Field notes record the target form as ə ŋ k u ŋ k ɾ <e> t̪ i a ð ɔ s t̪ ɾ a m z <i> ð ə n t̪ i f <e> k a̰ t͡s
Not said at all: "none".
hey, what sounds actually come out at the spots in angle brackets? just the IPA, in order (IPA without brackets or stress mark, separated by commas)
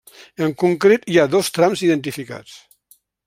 e, i, i